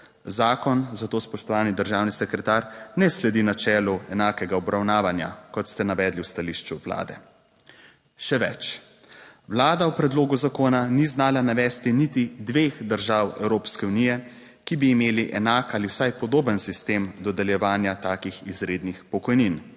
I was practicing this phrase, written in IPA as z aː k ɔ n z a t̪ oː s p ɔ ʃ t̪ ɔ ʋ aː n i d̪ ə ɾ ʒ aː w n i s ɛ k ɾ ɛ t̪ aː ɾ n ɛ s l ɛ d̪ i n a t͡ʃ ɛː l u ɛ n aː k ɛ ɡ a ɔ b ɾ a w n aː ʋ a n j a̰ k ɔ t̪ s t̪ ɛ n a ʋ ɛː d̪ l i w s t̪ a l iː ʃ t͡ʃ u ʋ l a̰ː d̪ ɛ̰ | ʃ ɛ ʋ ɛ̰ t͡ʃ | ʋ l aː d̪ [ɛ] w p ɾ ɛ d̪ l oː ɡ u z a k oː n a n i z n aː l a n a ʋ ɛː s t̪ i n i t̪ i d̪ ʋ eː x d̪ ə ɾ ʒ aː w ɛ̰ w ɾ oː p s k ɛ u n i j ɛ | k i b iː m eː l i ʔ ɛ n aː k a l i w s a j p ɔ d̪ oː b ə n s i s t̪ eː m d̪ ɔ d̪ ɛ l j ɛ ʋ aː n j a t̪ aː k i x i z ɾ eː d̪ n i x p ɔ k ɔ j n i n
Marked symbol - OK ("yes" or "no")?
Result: no